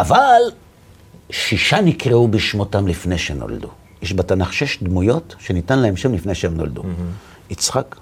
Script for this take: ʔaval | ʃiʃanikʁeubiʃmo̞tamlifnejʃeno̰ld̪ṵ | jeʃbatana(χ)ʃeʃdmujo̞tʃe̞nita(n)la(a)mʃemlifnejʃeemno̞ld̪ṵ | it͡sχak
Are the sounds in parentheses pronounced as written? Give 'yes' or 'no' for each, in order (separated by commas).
yes, yes, no